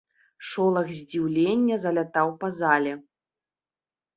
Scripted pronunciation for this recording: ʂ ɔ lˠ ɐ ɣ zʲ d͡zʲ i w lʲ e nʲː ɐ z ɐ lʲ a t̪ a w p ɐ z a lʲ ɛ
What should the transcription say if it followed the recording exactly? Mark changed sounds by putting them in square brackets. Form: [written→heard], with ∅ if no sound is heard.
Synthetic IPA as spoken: ʂ ɔ lˠ ɐ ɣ zʲ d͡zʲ i w lʲ e nʲː ɐ z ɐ lʲ a t̪ a w p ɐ z a lʲ ɛ